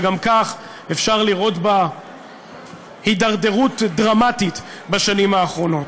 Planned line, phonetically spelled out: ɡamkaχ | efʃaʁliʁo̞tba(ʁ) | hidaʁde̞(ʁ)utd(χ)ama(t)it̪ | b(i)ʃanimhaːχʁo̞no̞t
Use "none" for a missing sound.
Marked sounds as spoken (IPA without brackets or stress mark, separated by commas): none, ʁ, ʁ, t, a